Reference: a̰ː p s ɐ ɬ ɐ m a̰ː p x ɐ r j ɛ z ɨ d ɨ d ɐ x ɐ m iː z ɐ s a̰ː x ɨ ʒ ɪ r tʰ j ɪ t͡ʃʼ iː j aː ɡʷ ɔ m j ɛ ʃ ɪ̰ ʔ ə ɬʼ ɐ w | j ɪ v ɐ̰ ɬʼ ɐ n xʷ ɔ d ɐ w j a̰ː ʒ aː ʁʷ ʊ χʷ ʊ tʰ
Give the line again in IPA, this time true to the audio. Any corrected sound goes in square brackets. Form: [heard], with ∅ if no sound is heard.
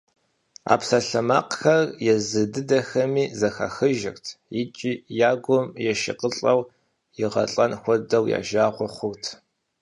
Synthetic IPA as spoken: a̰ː p s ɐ ɬ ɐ m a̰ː [q] x ɐ r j ɛ z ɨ d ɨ d ɐ x ɐ m iː z ɐ [x] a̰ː x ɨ ʒ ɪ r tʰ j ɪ t͡ʃʼ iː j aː ɡʷ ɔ m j ɛ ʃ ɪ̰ [q] ə ɬʼ ɐ w | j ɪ [ʁ] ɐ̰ ɬʼ ɐ n xʷ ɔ d ɐ w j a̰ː ʒ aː ʁʷ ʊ χʷ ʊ tʰ

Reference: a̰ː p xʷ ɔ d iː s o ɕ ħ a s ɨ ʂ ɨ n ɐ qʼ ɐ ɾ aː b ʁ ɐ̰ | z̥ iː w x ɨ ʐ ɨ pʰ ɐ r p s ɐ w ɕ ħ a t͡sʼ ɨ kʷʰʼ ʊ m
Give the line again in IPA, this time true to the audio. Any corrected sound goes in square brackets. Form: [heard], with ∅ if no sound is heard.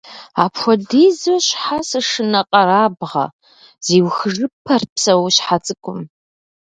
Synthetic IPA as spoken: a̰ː p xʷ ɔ d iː [z] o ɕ ħ a s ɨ ʂ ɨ n ɐ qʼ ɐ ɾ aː b ʁ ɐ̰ | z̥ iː w x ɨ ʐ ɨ pʰ ɐ r p s ɐ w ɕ ħ a t͡sʼ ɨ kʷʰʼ ʊ m

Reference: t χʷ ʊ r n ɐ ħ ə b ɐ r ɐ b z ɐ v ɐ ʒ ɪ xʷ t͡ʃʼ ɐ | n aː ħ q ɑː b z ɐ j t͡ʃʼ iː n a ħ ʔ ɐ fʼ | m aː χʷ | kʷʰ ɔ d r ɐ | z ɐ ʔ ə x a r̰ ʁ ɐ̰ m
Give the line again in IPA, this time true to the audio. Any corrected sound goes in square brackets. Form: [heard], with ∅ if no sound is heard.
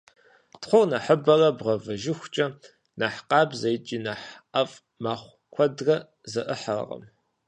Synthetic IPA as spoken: t χʷ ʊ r n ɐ ħ ə b ɐ r ɐ b [ʁ] ɐ v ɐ ʒ ɪ xʷ t͡ʃʼ ɐ | n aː ħ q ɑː b z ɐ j t͡ʃʼ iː n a ħ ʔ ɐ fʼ | m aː χʷ | kʷʰ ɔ d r ɐ | z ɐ ʔ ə [ħ] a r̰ ʁ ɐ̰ m

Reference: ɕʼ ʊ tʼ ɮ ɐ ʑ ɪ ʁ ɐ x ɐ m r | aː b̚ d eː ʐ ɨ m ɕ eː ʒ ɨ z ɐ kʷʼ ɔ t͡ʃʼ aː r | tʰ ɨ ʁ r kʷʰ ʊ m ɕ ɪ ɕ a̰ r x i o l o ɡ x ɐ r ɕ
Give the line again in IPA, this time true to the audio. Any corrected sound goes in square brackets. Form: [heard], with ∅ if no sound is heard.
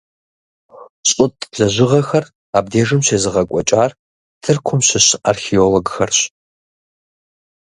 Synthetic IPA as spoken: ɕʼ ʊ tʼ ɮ ɐ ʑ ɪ ʁ ɐ x ɐ [∅] r | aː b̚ d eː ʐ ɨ m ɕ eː [z] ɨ [ʁ] ɐ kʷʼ ɔ t͡ʃʼ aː r | tʰ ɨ [∅] r kʷʰ ʊ m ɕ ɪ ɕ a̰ r x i o l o ɡ x ɐ r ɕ

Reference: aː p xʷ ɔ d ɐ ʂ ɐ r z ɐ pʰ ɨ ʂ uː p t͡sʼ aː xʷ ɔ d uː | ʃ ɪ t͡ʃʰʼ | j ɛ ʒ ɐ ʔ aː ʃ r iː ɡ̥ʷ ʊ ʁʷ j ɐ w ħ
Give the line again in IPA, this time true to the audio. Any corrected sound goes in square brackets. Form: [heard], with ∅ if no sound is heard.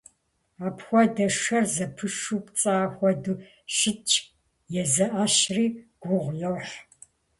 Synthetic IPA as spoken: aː p xʷ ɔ d ɐ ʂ ɐ r z ɐ pʰ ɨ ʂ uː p t͡sʼ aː xʷ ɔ d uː | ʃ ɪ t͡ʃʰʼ | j ɛ [z] ɐ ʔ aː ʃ r iː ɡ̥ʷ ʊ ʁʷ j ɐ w ħ

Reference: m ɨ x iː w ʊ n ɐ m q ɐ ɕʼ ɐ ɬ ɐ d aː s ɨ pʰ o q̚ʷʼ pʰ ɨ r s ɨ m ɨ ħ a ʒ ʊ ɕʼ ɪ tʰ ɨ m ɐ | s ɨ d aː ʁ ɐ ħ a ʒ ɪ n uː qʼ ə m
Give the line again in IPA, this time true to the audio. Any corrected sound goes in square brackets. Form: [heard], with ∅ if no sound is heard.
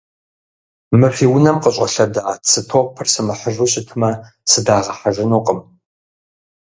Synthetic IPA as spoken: m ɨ [f] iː w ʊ n ɐ m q [ə] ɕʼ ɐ ɬ ɐ d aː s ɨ [tʰ] o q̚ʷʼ pʰ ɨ r s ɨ m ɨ ħ [ə] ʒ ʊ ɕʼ ɪ tʰ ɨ m ɐ | s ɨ d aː ʁ ɐ ħ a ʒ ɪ n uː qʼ ə m

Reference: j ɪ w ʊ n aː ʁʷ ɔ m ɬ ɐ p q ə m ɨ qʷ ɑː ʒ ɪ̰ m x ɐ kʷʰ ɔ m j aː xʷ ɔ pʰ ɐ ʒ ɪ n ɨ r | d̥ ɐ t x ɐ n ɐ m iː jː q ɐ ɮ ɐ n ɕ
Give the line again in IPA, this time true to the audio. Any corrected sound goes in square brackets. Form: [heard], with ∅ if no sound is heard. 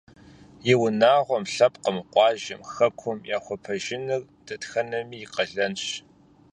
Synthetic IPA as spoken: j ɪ w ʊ n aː ʁʷ ɔ m ɬ ɐ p q ə m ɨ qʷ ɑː ʒ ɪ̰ m x ɐ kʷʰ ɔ m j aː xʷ ɔ pʰ ɐ ʒ ɪ n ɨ r | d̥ ɐ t x ɐ n ɐ m iː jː q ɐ ɮ ɐ n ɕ

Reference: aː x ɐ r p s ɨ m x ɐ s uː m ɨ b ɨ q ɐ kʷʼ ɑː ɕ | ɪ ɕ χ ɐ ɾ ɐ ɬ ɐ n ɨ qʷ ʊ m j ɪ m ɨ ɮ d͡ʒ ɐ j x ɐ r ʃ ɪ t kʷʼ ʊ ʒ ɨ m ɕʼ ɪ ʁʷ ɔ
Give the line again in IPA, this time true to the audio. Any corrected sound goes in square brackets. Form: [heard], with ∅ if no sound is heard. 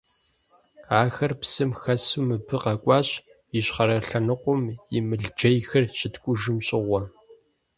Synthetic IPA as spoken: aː x ɐ r p s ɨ m x ɐ s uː m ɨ b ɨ q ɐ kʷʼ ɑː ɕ | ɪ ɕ χ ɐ ɾ ɐ ɬ ɐ n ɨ qʷ ʊ m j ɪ m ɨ ɮ d͡ʒ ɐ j x ɐ r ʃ ɪ t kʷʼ ʊ ʒ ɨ m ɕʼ ɪ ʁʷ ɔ

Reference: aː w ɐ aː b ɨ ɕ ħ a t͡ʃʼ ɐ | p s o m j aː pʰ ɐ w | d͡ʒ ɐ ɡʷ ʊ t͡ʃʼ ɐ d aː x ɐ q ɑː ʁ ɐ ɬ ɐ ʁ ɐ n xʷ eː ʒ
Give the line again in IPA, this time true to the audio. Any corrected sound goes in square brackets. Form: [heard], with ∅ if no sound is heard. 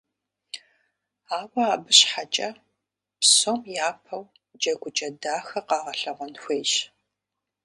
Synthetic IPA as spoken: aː w ɐ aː b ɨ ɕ ħ a t͡ʃʼ ɐ | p s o m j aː pʰ ɐ w | d͡ʒ ɐ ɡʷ ʊ t͡ʃʼ ɐ d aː x ɐ q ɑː ʁ ɐ ɬ ɐ ʁ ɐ n xʷ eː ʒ

